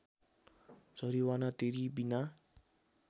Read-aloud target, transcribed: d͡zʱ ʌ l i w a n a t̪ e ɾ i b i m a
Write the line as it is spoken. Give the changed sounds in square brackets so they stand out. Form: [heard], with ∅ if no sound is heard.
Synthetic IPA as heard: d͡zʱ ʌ [ɾ] i w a n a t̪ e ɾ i b i [n] a

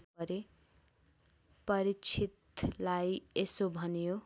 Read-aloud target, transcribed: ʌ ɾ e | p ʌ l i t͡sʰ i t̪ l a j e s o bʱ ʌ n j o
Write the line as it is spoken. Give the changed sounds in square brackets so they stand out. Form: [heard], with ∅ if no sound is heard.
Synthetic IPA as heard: ʌ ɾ e | p ʌ [ɾ] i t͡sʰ i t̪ l a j e s o bʱ ʌ n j o

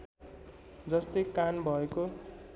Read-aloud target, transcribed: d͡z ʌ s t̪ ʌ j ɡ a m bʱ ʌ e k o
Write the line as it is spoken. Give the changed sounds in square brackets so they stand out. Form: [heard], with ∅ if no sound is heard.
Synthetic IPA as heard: d͡z ʌ s t̪ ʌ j [k] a [n] bʱ ʌ e k o

